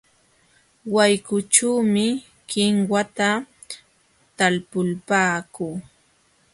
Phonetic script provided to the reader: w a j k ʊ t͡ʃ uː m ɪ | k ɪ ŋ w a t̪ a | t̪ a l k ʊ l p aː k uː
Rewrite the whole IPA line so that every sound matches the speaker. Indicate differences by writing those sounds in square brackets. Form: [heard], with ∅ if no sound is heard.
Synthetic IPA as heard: w a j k ʊ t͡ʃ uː m ɪ | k ɪ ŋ w a t̪ a | t̪ a l [p] ʊ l p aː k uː